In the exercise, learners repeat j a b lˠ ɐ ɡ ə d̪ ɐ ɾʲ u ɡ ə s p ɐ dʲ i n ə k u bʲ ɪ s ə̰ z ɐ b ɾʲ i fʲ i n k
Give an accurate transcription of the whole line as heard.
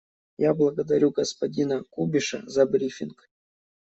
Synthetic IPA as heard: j a b lˠ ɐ ɡ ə d̪ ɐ ɾʲ u ɡ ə s p ɐ dʲ i n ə k u bʲ ɪ ʂ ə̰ z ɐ b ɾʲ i fʲ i n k